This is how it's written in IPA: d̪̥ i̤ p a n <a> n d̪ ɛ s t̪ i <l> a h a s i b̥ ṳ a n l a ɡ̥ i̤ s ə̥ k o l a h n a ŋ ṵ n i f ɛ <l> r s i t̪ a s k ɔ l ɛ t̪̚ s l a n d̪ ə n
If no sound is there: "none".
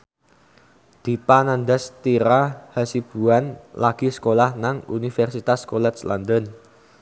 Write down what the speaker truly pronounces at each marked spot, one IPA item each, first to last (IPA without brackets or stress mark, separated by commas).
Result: a, ɾ, none